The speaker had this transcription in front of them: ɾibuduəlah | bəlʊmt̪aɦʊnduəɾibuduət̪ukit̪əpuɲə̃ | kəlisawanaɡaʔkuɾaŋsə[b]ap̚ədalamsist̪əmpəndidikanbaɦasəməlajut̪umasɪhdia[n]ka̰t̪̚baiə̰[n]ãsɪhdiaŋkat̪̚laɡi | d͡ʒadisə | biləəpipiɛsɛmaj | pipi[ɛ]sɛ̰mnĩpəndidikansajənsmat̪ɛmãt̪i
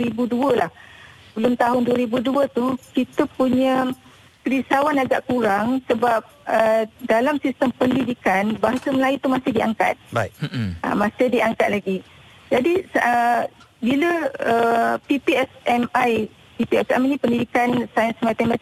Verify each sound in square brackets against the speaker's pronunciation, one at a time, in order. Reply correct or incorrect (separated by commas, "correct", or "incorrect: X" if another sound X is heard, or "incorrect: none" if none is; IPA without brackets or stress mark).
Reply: correct, incorrect: ŋ, incorrect: m, correct